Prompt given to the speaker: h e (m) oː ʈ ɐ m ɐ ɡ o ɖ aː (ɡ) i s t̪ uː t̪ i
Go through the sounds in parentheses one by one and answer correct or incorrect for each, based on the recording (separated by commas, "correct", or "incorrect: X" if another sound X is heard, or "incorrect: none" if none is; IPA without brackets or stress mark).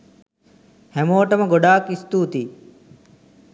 correct, incorrect: k